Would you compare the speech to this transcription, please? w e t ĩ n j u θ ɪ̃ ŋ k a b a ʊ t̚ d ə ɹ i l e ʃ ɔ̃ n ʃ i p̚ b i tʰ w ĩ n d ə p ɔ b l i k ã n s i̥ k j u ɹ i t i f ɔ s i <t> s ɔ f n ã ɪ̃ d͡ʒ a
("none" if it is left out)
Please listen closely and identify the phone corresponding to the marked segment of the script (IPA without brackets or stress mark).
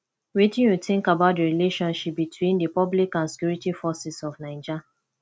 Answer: none